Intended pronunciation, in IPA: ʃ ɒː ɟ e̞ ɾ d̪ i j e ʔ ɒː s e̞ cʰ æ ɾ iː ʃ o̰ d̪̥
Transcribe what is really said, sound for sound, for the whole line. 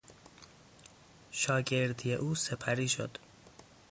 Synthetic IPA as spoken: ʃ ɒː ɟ e̞ ɾ d̪ i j e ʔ uː s e̞ pʰ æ ɾ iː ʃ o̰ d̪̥